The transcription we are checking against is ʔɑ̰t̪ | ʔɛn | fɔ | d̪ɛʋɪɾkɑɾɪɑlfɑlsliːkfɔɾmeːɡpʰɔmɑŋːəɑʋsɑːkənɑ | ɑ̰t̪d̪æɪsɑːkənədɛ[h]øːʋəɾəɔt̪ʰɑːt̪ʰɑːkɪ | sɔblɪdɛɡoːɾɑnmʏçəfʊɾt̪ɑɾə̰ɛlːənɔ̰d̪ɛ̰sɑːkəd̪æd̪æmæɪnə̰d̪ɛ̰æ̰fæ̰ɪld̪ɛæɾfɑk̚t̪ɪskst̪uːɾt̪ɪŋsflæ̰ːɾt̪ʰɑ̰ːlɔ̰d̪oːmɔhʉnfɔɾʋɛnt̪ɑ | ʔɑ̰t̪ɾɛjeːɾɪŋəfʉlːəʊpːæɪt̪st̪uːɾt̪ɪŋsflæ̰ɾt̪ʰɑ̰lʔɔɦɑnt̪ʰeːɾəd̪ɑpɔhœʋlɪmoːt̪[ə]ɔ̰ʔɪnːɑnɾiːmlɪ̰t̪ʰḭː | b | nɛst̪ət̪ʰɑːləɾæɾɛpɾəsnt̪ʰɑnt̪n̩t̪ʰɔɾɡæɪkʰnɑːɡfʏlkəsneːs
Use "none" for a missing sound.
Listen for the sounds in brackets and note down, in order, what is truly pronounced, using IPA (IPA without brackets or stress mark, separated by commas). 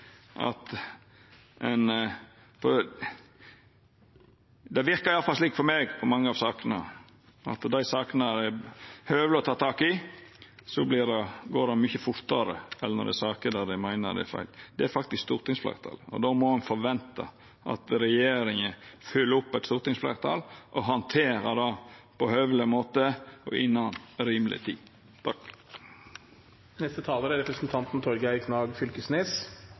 h, ə